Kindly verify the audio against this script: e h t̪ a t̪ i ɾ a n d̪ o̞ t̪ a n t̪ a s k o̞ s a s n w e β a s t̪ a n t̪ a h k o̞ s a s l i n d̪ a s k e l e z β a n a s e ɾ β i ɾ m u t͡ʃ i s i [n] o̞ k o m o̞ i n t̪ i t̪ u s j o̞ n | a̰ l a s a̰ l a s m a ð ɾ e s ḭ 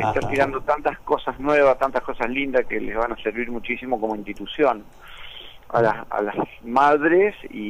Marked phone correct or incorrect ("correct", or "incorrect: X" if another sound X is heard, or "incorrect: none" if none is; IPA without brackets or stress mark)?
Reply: incorrect: m